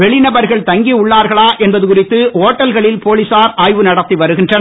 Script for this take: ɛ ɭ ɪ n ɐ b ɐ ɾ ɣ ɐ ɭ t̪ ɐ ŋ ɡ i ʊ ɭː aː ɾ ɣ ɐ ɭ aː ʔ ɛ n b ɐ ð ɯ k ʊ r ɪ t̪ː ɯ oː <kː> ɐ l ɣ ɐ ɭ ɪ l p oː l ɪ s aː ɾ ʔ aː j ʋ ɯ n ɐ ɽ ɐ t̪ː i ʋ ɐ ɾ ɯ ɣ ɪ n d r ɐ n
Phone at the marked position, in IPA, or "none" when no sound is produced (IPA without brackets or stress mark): ʈː